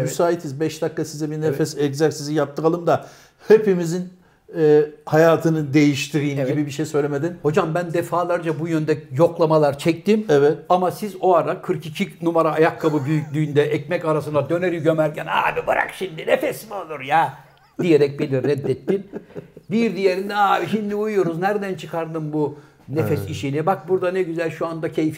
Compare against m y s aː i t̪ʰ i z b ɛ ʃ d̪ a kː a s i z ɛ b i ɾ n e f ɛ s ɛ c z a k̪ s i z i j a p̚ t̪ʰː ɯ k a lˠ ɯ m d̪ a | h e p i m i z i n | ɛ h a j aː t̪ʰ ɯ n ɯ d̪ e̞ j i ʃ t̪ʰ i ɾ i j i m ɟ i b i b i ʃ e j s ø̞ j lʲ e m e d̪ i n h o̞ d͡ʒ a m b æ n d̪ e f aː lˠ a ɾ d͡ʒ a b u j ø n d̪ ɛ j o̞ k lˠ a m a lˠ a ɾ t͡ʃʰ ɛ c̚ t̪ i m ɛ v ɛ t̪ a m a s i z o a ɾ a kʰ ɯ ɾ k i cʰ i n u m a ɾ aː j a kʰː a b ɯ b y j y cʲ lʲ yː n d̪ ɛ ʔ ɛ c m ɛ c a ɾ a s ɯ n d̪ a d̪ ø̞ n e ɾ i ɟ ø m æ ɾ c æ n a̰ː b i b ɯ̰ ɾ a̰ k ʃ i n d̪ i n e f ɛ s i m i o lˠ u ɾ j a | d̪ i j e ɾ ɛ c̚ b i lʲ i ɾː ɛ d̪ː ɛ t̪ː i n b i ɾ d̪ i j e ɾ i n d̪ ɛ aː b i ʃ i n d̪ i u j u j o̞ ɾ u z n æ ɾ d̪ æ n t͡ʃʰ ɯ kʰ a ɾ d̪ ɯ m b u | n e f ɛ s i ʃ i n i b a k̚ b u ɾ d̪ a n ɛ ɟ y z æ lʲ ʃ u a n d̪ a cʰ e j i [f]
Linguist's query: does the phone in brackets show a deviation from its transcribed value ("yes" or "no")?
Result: no